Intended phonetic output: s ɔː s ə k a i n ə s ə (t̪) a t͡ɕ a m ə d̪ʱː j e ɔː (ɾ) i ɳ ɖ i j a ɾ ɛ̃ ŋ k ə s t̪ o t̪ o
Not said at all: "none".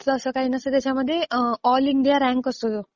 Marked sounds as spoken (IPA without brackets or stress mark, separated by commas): t̪, l